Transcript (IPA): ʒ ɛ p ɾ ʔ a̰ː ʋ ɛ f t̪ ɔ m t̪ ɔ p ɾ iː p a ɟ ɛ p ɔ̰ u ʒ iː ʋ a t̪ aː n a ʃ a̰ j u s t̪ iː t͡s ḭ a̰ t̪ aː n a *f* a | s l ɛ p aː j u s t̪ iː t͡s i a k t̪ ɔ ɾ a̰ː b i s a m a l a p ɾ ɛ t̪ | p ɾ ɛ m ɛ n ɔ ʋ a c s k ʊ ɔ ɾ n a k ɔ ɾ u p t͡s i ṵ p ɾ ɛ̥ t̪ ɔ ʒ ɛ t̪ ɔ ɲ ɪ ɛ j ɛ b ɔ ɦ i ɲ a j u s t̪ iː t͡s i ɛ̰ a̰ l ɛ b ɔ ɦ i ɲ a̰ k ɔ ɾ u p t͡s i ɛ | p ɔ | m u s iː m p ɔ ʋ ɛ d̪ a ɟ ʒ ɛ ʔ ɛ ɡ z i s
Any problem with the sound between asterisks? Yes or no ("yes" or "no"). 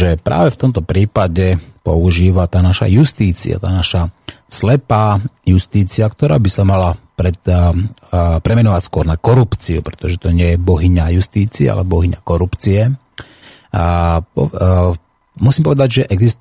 yes